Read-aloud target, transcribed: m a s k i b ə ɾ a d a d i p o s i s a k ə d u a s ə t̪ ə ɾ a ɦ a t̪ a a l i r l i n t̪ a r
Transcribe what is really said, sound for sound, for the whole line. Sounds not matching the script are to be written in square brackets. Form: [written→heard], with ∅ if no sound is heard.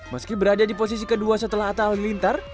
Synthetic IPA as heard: m [a→ə] s k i b ə ɾ a d a d i p o s i s [a→i] k ə d u a s ə t̪ ə [ɾ→l] a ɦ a t̪ a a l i [r→∅] l i n t̪ a r

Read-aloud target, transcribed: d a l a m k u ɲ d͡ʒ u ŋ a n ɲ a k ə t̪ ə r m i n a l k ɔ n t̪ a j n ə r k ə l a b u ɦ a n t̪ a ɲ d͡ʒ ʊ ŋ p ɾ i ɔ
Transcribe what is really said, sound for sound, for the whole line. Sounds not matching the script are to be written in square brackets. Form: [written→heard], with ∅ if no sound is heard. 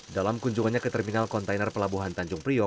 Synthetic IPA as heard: d a l a m k u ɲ d͡ʒ u ŋ a n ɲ a k ə t̪ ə r m i n a l k ɔ n t̪ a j n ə r [k→p] ə l a b u ɦ a n t̪ a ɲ d͡ʒ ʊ ŋ p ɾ i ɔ

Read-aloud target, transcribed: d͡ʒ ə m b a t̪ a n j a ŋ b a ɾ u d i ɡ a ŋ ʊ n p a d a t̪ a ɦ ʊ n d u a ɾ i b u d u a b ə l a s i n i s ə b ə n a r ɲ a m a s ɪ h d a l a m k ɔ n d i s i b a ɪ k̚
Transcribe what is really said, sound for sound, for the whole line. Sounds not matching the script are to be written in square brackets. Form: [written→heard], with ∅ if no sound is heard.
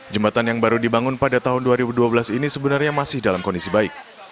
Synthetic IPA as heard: d͡ʒ ə m b a t̪ a n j a ŋ b a ɾ u d i [ɡ→b] a ŋ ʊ n p a d a t̪ a ɦ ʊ n d u a ɾ i b u d u a b ə l a s i n i s ə b ə n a r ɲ a m a s ɪ h d a l a m k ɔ n d i s i b a ɪ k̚

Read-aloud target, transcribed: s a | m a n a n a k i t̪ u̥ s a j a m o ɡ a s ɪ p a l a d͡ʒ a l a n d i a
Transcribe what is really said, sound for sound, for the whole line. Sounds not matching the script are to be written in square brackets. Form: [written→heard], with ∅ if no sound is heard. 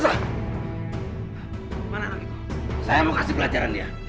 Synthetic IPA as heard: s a | m a n a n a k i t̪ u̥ s a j a m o [ɡ→k] a s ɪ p [a→ə] l a d͡ʒ a [l→ɾ] a n d i a

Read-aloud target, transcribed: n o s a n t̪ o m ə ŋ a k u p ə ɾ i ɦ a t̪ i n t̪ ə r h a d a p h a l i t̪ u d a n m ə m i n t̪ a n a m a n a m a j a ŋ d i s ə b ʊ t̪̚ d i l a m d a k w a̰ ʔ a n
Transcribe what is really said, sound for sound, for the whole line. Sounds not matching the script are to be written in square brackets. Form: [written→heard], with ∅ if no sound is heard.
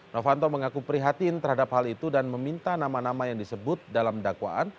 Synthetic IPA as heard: n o [s→f] a n t̪ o m ə ŋ a k u p ə ɾ i ɦ a t̪ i n t̪ ə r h a d a p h a l i t̪ u d a n m ə m i n t̪ a n a m a n a m a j a ŋ d i s ə b ʊ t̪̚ d [i→a] l a m d a k w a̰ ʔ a n

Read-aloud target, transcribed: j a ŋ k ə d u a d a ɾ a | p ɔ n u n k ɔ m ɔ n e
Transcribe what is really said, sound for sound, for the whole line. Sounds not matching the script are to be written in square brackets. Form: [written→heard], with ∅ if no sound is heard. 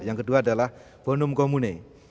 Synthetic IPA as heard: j a ŋ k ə d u a d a [ɾ→l] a | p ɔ n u [n→m] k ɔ m [ɔ→u] n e

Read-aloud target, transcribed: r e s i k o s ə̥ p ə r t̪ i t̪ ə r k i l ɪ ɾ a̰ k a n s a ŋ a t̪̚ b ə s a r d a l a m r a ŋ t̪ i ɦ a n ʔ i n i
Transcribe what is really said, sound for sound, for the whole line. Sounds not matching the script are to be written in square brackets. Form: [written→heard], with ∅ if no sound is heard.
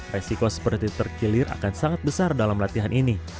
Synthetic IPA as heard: r e s i k o s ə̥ p ə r t̪ i t̪ ə r k i l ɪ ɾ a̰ k a n s a ŋ a t̪̚ b ə s a r d a l a m [r→l] a [ŋ→∅] t̪ i ɦ a n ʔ i n i

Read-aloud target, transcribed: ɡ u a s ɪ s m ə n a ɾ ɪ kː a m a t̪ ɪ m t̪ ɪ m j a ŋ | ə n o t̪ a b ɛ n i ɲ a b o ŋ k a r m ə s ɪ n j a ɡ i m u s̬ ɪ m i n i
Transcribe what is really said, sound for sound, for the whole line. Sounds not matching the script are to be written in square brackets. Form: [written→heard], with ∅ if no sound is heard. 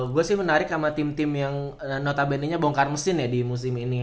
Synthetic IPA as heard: ɡ u a s ɪ [s→h] m ə n a ɾ ɪ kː a m a t̪ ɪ m t̪ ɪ m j a ŋ | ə n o t̪ a b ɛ n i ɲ a b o ŋ k a r m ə s ɪ n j a [ɡ→d] i m u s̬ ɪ m i n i

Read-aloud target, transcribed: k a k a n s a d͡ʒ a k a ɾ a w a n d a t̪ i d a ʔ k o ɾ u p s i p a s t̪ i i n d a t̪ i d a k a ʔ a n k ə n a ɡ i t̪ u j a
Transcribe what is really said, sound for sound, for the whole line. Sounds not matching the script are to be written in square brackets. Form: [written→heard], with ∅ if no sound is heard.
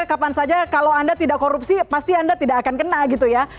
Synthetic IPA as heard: k a [k→p] a n s a d͡ʒ a k a [ɾ→l] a w a n d a t̪ i d a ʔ k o ɾ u p s i p a s t̪ i [i→a] n d a t̪ i d a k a [ʔ→k] a n k ə n a ɡ i t̪ u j a

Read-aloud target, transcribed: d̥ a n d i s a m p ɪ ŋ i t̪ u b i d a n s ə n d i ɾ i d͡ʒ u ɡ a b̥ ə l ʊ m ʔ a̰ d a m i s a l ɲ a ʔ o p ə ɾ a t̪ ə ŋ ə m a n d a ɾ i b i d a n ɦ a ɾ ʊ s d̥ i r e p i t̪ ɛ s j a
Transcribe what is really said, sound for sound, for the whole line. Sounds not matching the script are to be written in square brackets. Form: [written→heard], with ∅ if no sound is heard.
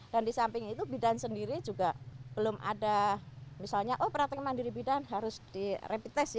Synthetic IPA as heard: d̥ a n d i s a m p ɪ ŋ i t̪ u b i d a n s ə n d i ɾ i d͡ʒ u ɡ a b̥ ə l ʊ m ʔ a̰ d a m i s a l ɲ a ʔ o p ə ɾ a t̪ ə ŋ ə m a n d [a→i] ɾ i b i d a n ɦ a ɾ ʊ s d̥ i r e p i t̪ ɛ s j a

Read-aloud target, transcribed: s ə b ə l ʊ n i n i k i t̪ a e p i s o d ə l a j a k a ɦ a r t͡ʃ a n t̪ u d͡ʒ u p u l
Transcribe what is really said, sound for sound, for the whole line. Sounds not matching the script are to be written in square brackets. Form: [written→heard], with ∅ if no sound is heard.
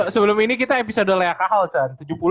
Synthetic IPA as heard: s ə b ə l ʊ [n→m] i n i k i t̪ a e p i s o d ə l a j a k a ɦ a [r→l] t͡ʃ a n t̪ u d͡ʒ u p u l

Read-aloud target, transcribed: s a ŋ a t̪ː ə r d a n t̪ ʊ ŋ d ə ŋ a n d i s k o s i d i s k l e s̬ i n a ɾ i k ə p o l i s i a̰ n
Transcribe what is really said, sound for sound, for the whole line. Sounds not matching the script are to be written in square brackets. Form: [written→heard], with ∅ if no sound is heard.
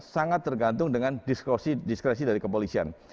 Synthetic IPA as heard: s a ŋ a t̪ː ə r [d→ɡ] a n t̪ ʊ ŋ d ə ŋ a n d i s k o s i d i s k [l→ɾ] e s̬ i [n→d] a ɾ i k ə p o l i s i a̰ n

